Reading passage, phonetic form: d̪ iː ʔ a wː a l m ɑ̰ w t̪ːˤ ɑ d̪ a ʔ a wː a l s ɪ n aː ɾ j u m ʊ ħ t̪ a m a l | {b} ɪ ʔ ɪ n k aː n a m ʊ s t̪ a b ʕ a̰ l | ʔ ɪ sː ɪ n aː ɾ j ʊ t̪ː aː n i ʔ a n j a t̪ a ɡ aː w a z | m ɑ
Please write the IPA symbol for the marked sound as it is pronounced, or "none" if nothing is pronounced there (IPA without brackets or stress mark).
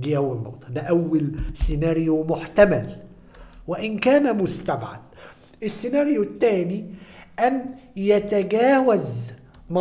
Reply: w